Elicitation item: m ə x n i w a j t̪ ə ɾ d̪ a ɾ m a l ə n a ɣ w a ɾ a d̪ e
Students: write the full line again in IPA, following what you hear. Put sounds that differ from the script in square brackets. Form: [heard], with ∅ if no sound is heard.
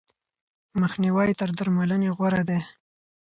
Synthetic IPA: m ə x n i w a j t̪ ə ɾ d̪ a ɾ m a l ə n [e] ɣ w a ɾ a d̪ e